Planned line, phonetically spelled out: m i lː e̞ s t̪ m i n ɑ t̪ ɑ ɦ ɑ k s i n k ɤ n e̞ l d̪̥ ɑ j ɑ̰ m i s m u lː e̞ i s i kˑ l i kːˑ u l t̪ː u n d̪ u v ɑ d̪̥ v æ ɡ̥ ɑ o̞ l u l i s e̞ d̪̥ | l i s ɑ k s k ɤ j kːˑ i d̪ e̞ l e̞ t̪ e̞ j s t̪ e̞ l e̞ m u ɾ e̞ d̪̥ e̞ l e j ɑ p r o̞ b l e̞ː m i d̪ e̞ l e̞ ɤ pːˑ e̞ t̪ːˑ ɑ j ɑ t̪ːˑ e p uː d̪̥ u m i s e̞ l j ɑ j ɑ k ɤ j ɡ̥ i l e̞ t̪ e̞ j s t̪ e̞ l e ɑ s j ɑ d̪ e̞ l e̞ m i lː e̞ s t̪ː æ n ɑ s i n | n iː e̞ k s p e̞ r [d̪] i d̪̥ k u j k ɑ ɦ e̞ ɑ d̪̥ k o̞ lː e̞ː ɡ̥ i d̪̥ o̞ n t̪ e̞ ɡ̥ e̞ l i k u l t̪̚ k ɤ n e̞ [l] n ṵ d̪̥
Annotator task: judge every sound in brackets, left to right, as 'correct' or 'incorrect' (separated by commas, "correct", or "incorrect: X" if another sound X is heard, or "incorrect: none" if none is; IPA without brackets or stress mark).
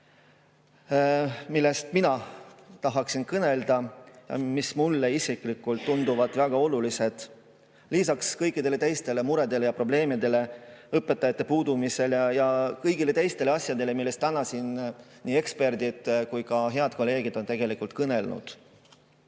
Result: correct, correct